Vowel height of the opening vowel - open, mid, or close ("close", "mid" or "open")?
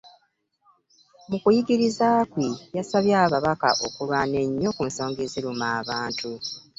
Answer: close